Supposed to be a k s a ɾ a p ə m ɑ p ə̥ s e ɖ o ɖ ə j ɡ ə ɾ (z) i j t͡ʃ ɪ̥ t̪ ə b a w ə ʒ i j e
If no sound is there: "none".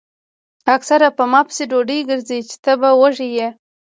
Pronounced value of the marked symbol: z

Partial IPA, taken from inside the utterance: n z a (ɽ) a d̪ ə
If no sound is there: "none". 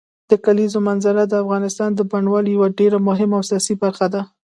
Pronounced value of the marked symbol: ɾ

